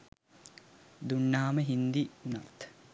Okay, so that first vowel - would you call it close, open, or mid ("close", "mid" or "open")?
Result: close